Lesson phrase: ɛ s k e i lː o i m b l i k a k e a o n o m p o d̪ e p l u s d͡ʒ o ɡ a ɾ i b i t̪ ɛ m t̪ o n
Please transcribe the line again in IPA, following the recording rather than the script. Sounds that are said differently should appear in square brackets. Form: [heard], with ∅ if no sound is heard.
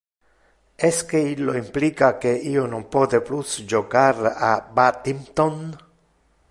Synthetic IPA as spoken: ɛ s k e i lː o i m [p] l i k a k e [i] o n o m p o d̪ e p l u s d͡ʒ o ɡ a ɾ [a] b [a] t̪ [i] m t̪ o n